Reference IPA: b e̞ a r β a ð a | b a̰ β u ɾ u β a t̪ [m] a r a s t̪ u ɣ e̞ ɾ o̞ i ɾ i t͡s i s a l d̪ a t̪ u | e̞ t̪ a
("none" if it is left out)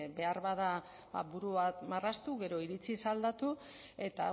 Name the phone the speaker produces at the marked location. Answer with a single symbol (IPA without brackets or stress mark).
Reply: m